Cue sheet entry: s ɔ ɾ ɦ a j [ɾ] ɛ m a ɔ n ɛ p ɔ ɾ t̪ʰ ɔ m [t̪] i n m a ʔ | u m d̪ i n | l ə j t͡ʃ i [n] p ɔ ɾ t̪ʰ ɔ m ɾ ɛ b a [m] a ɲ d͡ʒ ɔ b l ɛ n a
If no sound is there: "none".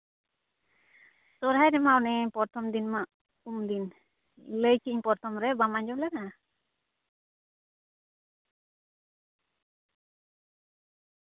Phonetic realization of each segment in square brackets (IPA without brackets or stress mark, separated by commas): ɾ, d̪, ɲ, m